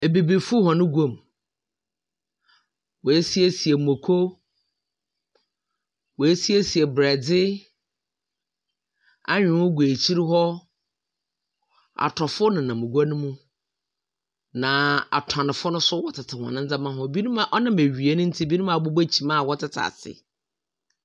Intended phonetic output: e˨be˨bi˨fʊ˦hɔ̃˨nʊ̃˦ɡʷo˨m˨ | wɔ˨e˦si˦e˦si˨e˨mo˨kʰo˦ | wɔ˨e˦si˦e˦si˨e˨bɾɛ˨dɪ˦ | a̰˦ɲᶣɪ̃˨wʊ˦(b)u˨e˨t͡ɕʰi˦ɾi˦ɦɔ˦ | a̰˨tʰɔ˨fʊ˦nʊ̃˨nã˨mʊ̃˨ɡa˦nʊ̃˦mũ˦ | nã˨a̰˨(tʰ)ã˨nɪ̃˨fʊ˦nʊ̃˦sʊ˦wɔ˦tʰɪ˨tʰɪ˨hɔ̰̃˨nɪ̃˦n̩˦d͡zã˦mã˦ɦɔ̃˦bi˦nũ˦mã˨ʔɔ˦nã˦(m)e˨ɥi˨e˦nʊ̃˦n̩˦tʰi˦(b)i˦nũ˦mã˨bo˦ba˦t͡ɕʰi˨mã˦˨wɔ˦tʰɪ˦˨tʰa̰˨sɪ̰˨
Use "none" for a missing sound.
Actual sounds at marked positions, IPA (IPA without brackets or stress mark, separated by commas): ɡ, tʰ, m, b